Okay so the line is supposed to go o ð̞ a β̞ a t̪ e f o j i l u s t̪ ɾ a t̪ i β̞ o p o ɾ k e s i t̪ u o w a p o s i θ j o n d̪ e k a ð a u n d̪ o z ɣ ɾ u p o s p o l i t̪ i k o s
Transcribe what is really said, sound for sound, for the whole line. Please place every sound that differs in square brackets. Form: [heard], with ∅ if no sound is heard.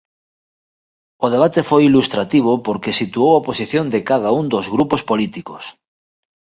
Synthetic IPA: o ð̞ [e] β̞ a t̪ e f o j i l u s t̪ ɾ a t̪ i β̞ o p o ɾ k e s i t̪ u o w a p o s i θ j o n d̪ e k a ð a u n d̪ o z ɣ ɾ u p o s p o l i t̪ i k o s